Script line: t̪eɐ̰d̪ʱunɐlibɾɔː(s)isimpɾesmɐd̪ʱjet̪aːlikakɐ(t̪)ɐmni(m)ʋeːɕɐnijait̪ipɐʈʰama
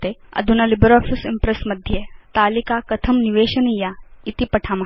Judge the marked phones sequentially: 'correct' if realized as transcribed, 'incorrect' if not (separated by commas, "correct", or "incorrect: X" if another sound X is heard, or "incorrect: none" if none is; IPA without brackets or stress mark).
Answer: incorrect: f, incorrect: t̪ʰ, incorrect: none